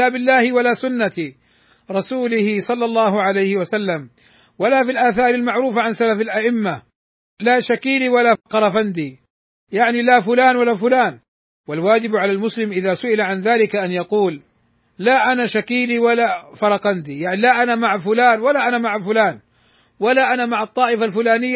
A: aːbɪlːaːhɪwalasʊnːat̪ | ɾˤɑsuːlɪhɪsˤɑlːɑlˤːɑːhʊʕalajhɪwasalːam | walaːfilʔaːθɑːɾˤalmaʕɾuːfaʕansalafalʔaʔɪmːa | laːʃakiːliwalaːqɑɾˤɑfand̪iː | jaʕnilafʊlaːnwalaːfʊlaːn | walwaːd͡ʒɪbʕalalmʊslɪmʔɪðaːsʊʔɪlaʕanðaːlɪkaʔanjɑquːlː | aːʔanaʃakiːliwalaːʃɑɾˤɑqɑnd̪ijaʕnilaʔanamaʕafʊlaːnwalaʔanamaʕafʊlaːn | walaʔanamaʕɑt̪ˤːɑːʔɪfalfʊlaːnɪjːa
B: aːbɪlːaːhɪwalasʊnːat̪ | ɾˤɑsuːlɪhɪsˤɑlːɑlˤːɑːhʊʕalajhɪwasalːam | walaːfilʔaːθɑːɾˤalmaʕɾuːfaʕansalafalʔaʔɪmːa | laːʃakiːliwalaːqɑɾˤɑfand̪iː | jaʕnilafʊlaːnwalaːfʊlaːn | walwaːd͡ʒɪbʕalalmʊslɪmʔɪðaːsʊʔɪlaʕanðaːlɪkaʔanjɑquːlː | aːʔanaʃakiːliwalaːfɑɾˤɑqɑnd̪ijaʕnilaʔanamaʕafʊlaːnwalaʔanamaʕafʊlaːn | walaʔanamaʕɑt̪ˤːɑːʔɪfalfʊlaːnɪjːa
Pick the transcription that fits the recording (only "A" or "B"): B